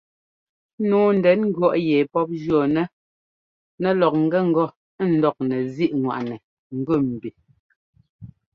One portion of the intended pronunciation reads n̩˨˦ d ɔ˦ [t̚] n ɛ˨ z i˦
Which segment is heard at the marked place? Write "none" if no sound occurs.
k̚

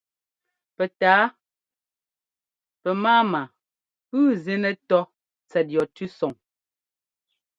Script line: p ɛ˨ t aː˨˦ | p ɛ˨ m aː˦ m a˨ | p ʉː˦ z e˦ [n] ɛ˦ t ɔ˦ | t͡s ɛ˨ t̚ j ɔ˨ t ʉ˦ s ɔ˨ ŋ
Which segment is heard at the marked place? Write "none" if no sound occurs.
n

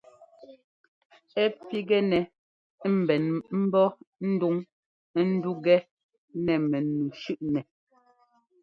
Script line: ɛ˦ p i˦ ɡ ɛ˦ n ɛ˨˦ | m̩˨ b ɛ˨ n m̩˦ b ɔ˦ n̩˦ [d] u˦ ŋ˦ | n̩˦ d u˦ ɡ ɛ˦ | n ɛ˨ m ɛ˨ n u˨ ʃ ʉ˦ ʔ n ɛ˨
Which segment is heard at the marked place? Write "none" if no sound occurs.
d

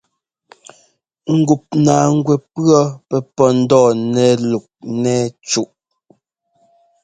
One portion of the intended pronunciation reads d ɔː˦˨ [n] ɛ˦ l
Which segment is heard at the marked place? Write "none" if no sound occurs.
n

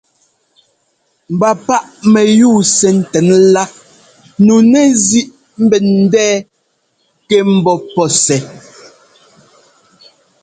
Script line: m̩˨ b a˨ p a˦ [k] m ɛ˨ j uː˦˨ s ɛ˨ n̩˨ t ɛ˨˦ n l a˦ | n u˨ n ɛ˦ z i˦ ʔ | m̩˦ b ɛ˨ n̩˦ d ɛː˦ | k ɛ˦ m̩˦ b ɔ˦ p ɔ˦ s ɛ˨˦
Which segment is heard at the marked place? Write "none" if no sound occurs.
ʔ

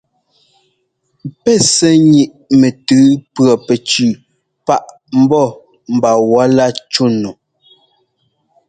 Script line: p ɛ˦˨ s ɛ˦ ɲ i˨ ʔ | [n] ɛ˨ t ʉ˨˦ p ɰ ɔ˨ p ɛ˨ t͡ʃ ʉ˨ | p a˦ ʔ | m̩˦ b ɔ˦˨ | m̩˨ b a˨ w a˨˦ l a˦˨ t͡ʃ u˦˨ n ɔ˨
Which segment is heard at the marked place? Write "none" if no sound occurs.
m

